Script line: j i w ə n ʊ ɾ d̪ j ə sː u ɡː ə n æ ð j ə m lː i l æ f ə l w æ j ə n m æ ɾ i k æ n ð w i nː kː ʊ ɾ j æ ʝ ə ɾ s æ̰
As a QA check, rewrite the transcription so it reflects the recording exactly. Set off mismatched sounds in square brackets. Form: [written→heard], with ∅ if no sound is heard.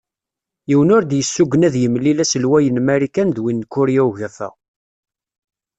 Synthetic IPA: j i w ə n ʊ ɾ d̪ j ə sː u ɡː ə n æ ð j ə m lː i l æ [f→s] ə l w æ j ə n m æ ɾ i k æ n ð w i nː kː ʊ ɾ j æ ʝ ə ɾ [s→θ] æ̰